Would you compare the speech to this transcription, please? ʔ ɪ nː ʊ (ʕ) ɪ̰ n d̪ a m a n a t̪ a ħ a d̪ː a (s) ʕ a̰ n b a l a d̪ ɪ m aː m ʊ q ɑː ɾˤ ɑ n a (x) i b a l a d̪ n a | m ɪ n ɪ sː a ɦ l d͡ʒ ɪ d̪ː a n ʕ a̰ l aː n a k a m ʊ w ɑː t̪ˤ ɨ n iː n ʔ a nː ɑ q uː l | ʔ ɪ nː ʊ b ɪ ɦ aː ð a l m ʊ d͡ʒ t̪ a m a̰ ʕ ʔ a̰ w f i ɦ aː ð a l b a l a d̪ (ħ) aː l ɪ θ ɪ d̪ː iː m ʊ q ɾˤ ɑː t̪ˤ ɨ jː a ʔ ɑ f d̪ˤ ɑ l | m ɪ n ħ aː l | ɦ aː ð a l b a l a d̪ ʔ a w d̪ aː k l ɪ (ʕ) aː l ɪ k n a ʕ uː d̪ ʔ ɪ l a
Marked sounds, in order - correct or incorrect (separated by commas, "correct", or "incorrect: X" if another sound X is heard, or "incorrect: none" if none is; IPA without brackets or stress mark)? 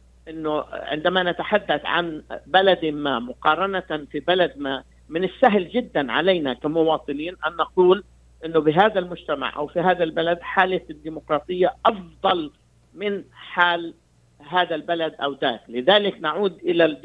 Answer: correct, incorrect: θ, incorrect: f, correct, incorrect: ð